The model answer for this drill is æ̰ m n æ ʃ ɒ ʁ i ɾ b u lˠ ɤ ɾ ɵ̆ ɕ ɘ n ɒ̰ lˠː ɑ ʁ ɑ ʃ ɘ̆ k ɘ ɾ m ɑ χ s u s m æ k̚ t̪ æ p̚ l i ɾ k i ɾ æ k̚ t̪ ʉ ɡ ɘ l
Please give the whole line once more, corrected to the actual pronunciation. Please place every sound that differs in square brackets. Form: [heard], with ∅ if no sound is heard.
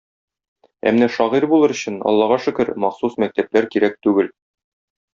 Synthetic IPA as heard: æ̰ m n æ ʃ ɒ ʁ i ɾ b u lˠ ɤ ɾ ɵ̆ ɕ ɘ n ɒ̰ lˠː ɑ ʁ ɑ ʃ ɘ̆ k ɘ ɾ m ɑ χ s u s m æ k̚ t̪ æ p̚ l [æ] ɾ k i ɾ æ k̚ t̪ ʉ ɡ ɘ l